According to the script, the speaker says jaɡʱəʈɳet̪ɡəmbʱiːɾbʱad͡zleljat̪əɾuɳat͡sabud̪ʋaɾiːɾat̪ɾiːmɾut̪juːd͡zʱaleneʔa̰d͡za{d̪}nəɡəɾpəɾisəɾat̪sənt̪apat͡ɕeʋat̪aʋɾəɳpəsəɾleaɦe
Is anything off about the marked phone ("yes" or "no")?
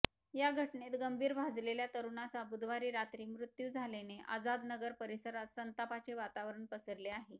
no